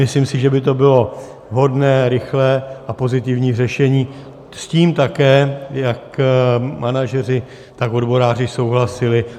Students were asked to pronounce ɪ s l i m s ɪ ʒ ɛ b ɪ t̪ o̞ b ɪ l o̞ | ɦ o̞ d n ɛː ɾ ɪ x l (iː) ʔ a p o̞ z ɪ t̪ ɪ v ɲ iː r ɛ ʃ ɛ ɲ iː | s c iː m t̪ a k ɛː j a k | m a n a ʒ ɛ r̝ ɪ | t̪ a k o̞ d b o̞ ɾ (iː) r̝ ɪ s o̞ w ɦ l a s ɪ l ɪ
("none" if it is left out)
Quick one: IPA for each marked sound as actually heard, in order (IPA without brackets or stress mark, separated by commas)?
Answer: ɛː, aː